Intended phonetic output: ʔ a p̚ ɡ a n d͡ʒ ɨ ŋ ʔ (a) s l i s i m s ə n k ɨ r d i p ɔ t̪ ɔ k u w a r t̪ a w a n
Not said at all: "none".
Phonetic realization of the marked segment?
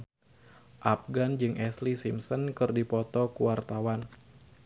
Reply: ɛ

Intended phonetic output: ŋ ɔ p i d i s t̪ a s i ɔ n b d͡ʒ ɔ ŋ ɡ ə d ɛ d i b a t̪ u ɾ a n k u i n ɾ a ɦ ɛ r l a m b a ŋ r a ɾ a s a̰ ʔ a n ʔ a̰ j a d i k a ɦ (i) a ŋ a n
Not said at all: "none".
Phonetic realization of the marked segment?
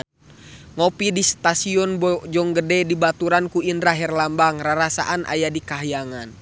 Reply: j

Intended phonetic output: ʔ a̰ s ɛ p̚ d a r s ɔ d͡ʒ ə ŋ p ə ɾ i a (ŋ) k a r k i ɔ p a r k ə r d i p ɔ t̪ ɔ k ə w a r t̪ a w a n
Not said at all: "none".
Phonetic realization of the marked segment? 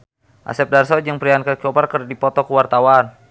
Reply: n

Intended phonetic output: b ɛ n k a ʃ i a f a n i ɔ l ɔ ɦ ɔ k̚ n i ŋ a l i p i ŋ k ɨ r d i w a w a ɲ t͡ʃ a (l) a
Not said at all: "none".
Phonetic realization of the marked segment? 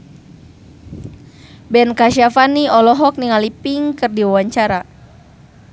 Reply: ɾ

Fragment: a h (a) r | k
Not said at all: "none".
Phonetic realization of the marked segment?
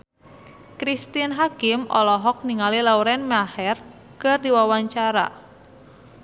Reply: ɛ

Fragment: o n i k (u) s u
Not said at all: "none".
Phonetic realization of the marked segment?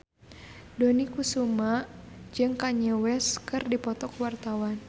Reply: u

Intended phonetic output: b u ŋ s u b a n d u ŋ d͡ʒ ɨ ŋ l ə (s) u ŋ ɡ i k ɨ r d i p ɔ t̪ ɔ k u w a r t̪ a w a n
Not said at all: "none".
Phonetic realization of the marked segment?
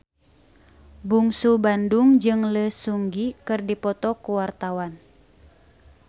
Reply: s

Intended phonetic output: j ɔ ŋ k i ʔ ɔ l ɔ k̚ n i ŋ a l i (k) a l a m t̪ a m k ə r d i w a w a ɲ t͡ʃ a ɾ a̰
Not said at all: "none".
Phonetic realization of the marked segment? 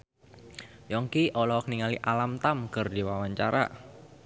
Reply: ʔ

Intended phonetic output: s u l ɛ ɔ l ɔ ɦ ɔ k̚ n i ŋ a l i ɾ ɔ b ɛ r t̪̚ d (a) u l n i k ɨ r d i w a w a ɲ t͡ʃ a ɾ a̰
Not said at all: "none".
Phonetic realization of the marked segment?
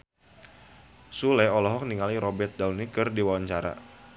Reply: a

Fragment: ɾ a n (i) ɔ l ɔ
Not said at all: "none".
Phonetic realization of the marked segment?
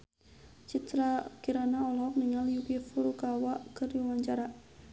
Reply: a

